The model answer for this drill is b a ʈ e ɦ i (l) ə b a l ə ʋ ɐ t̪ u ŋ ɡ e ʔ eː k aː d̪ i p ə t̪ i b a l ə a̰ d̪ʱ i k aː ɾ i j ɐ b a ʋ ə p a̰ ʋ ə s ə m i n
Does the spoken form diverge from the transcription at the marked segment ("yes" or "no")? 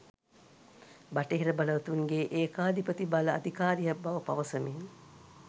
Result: yes